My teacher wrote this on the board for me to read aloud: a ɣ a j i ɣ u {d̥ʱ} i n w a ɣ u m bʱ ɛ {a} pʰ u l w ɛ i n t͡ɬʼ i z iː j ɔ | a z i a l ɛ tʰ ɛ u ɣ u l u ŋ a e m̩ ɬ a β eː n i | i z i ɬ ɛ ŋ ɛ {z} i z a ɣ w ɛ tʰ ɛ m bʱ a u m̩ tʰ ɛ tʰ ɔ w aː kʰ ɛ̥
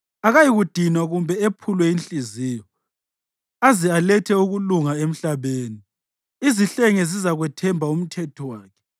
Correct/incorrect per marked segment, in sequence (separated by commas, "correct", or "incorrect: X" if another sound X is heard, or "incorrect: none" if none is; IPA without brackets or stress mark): correct, incorrect: e, correct